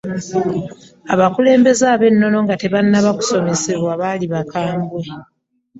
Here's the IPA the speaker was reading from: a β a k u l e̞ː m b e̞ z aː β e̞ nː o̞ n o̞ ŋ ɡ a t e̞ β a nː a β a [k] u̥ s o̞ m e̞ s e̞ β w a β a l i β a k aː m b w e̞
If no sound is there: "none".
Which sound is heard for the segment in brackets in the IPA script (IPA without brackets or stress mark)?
k